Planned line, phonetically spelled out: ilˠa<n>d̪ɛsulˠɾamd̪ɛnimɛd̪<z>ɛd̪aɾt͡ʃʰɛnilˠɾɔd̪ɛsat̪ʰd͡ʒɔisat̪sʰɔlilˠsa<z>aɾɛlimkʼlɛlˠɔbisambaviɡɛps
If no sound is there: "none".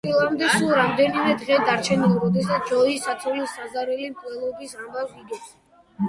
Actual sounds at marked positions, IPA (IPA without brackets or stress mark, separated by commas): m, ʁ, z